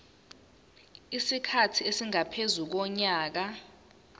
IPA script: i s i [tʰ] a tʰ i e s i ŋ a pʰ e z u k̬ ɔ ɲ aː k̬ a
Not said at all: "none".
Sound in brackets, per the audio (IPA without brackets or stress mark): kʰ